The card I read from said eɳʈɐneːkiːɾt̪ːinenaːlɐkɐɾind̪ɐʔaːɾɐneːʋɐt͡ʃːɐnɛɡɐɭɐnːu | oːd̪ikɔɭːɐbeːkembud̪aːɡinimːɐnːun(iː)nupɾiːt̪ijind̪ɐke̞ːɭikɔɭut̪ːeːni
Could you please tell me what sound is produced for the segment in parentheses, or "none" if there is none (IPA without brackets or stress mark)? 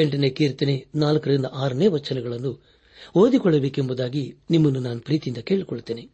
aː